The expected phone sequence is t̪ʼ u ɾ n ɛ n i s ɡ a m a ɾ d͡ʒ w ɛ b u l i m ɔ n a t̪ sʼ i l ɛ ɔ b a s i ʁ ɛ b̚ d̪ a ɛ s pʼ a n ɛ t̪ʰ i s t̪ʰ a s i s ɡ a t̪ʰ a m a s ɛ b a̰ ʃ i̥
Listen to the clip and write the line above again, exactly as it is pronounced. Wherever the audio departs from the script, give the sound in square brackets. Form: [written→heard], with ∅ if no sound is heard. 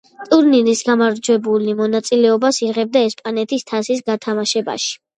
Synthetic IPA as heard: t̪ʼ u ɾ n [ɛ→i] n i s ɡ a m a ɾ d͡ʒ w ɛ b u l i m ɔ n a t̪ sʼ i l ɛ ɔ b a s i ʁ ɛ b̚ d̪ a ɛ s pʼ a n ɛ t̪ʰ i s t̪ʰ a s i s ɡ a t̪ʰ a m a [s→ʃ] ɛ b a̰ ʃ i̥

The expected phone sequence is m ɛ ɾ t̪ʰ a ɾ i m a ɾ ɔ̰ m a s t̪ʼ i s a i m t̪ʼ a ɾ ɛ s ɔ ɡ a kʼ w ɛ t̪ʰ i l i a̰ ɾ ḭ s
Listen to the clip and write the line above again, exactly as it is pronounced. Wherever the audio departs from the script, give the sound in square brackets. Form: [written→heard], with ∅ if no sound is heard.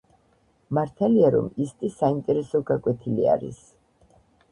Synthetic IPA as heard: m [ɛ→a] ɾ t̪ʰ a [ɾ→l] i [m→∅] a ɾ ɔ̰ m [a→i] s t̪ʼ i s a i m t̪ʼ [a→ɛ] ɾ ɛ s ɔ ɡ a kʼ w ɛ t̪ʰ i l i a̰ ɾ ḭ s

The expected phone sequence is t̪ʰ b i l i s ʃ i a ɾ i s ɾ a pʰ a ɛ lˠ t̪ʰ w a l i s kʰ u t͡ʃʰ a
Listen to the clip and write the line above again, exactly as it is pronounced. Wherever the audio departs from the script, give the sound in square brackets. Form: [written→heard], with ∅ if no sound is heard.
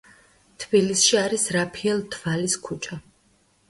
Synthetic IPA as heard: t̪ʰ b i l i s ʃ i a ɾ i s ɾ a pʰ [a→i] ɛ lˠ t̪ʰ [w→v] a l i s kʰ u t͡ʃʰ a

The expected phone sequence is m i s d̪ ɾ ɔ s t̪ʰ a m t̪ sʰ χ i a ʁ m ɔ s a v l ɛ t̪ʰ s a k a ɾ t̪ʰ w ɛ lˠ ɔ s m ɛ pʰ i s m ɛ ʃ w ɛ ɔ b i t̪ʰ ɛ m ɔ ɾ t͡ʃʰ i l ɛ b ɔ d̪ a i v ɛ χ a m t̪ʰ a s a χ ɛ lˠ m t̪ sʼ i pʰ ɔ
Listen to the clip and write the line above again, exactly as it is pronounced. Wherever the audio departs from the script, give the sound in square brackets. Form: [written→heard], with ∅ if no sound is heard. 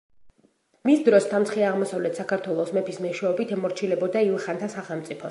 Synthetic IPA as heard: m i s d̪ ɾ ɔ s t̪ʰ a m t̪ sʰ χ i a ʁ m ɔ s a v l ɛ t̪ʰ s a k a ɾ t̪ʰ w ɛ lˠ ɔ s m ɛ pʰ i s m ɛ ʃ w ɛ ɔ b i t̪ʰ ɛ m ɔ ɾ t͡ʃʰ i l ɛ b ɔ d̪ a i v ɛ χ a [m→n] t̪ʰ a s a χ ɛ lˠ m t̪ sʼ i pʰ ɔ

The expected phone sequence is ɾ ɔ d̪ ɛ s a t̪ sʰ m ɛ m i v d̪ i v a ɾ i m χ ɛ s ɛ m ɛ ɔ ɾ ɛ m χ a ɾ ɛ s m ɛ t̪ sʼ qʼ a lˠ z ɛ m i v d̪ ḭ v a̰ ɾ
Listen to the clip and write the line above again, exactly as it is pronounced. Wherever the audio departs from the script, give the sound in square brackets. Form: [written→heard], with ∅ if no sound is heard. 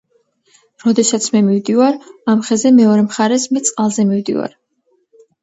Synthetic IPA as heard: ɾ ɔ d̪ ɛ s a t̪ sʰ m ɛ m i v d̪ i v a ɾ [i→a] m χ ɛ [s→z] ɛ m ɛ ɔ ɾ ɛ m χ a ɾ ɛ s m ɛ t̪ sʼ qʼ a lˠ z ɛ m i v d̪ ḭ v a̰ ɾ

